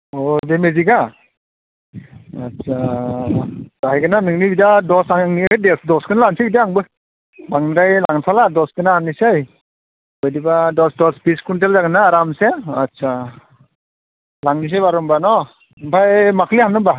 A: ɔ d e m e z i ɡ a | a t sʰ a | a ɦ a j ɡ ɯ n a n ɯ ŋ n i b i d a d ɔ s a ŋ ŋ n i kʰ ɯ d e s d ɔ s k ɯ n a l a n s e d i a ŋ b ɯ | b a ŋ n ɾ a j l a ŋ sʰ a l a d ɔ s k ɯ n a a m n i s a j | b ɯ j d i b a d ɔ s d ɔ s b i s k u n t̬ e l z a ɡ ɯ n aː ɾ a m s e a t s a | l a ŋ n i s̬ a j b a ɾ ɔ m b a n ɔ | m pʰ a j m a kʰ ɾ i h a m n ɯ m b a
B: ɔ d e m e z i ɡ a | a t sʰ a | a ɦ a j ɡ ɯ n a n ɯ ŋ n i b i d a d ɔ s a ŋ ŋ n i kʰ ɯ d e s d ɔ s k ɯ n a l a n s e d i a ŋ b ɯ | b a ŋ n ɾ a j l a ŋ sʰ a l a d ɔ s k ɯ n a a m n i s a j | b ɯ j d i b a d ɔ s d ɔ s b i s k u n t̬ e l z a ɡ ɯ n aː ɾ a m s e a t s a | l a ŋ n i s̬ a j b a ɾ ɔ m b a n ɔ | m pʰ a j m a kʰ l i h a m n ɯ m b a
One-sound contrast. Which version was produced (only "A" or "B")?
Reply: B